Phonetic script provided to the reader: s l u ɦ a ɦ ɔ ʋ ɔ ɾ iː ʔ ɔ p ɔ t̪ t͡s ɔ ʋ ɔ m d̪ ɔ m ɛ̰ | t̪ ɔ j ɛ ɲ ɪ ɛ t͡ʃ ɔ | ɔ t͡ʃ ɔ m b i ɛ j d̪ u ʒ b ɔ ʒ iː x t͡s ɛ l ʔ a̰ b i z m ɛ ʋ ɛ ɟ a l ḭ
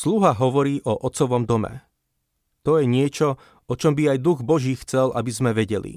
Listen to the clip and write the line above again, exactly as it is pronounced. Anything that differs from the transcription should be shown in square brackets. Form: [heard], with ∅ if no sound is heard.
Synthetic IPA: s l u ɦ a ɦ ɔ ʋ ɔ ɾ iː ʔ ɔ [ʔ] ɔ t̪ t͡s ɔ ʋ ɔ m d̪ ɔ m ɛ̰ | t̪ ɔ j ɛ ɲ ɪ ɛ t͡ʃ ɔ | ɔ t͡ʃ ɔ m b i [a] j d̪ u [ɣ] b ɔ ʒ iː x t͡s ɛ l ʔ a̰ b i z m ɛ ʋ ɛ ɟ [ɛ] l ḭ